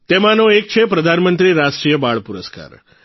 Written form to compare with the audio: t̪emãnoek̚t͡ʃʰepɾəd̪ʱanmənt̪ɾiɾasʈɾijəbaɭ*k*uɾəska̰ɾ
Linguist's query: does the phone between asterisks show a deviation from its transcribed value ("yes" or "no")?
yes